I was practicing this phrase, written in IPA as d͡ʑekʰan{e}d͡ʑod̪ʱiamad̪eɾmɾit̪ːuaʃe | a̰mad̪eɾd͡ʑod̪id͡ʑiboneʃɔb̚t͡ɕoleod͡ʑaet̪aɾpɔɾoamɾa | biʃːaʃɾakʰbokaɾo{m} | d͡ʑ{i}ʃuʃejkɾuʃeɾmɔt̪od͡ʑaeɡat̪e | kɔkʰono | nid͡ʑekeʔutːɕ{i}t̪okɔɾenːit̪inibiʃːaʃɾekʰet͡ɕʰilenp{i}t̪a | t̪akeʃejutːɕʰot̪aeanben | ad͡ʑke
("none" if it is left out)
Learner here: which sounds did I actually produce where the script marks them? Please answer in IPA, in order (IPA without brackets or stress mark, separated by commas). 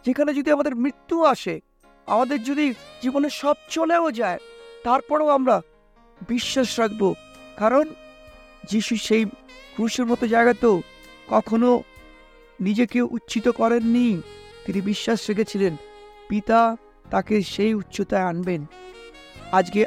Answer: e, n, i, i, i